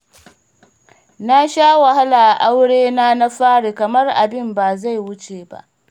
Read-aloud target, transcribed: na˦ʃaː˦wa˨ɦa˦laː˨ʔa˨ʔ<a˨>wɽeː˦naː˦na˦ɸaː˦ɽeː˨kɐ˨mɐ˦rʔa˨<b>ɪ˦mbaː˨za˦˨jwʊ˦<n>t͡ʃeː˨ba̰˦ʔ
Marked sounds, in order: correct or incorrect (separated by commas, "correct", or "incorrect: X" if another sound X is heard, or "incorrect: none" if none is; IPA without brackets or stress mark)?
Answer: incorrect: a˦, correct, incorrect: none